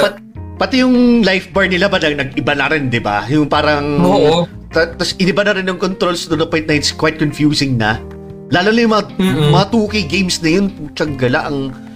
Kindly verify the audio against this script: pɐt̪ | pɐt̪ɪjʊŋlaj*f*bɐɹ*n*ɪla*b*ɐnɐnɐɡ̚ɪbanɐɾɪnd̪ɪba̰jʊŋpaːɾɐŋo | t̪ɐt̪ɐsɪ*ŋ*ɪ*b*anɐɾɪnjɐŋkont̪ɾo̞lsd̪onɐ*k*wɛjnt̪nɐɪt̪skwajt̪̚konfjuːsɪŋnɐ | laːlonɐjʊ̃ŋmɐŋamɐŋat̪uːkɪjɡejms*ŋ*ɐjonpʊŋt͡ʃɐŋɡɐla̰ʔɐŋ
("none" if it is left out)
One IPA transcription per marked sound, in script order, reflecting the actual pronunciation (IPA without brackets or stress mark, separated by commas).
f, n, b, n, b, p, n